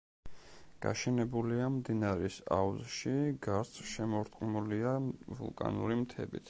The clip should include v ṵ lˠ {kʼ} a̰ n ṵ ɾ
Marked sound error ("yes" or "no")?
no